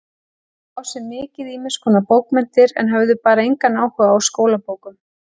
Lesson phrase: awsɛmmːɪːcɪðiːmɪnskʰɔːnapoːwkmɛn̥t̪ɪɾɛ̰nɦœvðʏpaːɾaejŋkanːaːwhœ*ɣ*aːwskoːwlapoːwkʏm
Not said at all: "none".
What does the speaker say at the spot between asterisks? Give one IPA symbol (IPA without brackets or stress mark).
ɣ